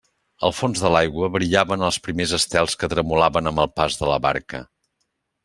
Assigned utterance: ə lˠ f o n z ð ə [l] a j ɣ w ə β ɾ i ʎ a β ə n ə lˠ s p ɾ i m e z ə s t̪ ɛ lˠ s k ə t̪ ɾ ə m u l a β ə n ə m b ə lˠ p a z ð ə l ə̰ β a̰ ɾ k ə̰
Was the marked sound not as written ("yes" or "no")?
no